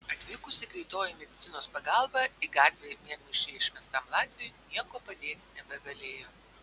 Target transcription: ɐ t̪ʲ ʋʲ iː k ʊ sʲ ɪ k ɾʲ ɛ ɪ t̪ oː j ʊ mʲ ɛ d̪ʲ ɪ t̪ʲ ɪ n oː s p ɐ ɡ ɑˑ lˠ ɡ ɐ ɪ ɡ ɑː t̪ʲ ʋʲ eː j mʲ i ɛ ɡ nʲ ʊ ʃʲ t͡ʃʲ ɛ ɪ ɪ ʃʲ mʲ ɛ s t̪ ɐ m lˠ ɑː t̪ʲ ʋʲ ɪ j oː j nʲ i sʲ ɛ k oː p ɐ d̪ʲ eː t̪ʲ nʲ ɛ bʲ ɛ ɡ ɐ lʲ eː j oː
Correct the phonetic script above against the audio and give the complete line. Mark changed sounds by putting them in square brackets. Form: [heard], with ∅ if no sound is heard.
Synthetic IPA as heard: ɐ t̪ʲ ʋʲ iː k ʊ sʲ ɪ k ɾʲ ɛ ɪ t̪ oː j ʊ mʲ ɛ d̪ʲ ɪ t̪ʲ ɪ n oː s p ɐ ɡ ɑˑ lˠ [b] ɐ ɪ ɡ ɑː t̪ʲ ʋʲ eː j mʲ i ɛ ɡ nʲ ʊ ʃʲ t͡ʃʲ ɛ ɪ ɪ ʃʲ mʲ ɛ s t̪ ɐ m lˠ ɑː t̪ʲ ʋʲ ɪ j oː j nʲ i [∅] ɛ k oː p ɐ d̪ʲ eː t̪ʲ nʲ ɛ bʲ ɛ ɡ ɐ lʲ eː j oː